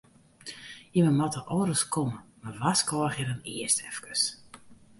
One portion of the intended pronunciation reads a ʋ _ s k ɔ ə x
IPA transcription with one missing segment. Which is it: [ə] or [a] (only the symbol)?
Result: a